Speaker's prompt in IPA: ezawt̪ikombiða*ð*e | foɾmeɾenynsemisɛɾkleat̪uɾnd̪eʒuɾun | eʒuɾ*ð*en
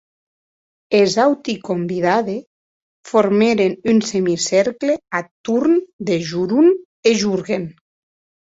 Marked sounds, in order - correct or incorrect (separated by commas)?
correct, incorrect